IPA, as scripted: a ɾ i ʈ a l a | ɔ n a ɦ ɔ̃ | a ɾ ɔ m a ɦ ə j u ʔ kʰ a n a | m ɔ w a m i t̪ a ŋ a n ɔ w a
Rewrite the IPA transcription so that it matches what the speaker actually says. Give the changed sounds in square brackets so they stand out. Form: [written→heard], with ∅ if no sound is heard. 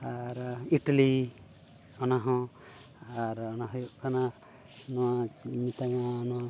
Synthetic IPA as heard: a ɾ i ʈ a l [a→i] | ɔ n a ɦ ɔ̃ | a ɾ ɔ [m→n] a ɦ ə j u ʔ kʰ a n a | [m→n] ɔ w a m i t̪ a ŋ a n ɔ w a

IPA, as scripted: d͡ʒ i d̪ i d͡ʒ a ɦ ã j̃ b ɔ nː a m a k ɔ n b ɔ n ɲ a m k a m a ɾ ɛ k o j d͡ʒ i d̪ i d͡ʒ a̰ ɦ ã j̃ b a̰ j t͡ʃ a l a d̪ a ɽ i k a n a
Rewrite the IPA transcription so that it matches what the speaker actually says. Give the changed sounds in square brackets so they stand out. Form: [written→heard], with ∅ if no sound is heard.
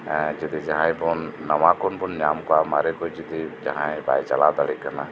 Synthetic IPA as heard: d͡ʒ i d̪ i d͡ʒ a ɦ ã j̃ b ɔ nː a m a k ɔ n b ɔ n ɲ a m k a m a ɾ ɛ k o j d͡ʒ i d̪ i d͡ʒ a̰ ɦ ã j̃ b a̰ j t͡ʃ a l a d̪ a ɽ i k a n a

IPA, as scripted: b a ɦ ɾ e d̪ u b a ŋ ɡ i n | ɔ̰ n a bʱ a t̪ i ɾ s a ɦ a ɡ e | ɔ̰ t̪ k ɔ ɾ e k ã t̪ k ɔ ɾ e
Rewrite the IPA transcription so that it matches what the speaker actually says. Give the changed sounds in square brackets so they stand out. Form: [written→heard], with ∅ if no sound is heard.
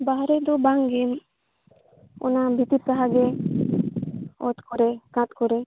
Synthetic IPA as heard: b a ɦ ɾ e d̪ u b a ŋ ɡ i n | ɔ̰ n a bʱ [a→i] t̪ i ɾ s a ɦ a ɡ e | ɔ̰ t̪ k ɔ ɾ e k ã t̪ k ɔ ɾ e

